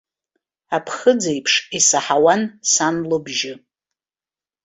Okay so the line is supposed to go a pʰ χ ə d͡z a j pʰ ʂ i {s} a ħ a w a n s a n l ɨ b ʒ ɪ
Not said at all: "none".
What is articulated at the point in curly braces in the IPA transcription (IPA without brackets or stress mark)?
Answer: s